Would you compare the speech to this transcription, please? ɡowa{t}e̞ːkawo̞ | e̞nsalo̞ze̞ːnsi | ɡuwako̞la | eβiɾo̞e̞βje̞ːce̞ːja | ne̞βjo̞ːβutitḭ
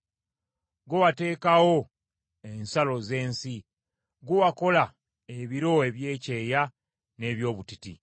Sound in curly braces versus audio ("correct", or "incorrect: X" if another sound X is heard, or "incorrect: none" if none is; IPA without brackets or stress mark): correct